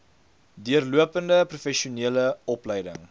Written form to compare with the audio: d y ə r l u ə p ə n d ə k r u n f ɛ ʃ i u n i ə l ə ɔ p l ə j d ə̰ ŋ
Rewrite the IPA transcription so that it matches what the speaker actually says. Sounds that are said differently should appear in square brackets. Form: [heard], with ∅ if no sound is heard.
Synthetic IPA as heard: d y ə r l u ə p ə n d ə [p] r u [∅] f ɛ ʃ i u n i ə l ə ɔ p l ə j d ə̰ ŋ